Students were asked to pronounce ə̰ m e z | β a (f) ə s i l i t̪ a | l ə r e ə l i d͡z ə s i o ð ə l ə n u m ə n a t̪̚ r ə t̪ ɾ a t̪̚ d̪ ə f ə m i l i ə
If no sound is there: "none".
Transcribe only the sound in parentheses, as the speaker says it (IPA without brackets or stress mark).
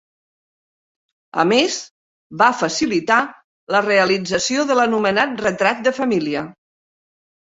f